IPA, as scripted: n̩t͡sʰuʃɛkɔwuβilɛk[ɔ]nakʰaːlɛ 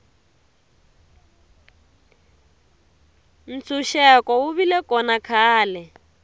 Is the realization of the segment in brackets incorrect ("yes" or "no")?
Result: no